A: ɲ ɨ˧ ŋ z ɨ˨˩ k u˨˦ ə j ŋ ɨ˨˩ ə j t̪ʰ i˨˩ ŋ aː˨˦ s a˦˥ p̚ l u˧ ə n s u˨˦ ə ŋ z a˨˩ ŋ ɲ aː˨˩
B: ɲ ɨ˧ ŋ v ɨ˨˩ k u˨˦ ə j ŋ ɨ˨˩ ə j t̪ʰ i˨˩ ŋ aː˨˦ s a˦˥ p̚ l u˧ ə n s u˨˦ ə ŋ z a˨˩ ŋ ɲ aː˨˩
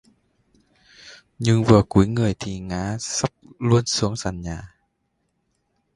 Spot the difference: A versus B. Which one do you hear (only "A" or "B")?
B